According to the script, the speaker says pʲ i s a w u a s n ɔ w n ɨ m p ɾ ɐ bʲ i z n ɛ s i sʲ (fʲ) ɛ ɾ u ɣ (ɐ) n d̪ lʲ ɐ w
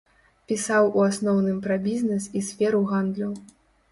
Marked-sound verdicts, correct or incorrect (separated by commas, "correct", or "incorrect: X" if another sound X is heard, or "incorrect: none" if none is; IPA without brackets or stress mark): correct, incorrect: a